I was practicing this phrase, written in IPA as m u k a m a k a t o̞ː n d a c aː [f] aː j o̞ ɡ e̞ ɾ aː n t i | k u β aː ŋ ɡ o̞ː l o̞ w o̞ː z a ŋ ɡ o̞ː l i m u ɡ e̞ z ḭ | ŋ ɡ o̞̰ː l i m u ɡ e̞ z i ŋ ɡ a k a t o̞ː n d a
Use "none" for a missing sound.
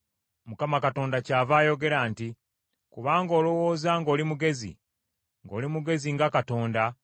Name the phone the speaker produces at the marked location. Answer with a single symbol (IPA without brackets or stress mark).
v